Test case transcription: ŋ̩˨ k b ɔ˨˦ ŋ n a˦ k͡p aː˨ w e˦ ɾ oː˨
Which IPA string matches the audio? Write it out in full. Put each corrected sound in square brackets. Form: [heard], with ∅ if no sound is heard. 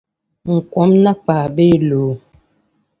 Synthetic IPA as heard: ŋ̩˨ k [w] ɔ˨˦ [m] n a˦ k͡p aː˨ [b] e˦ [l] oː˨